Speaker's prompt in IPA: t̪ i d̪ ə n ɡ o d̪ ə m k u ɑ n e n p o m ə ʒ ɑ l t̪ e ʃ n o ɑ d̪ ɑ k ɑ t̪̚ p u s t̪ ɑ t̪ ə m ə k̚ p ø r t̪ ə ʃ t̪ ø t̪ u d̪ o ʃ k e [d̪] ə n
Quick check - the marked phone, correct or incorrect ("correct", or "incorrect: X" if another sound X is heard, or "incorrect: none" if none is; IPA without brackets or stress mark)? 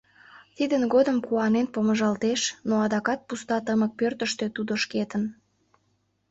incorrect: t̪